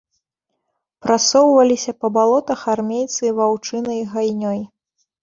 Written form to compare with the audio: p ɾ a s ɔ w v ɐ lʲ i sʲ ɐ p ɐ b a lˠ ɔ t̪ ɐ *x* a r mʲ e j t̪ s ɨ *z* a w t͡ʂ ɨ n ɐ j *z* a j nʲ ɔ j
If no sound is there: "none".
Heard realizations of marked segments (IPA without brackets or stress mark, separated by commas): x, v, ɣ